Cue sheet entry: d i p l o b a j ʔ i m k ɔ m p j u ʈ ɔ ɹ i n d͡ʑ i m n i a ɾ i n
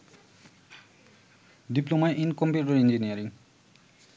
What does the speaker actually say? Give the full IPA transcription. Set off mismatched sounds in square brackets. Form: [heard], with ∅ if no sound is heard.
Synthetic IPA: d i p l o [m] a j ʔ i [n] k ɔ m p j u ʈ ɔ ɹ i n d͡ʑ i [∅] n i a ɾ i [ŋ]